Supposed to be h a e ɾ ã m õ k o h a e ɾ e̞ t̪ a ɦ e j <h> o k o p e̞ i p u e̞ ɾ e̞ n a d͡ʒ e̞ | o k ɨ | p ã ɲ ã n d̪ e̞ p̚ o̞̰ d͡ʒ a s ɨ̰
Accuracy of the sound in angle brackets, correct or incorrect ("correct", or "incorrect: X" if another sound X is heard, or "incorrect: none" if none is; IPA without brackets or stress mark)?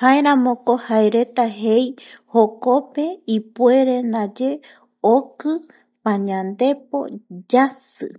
correct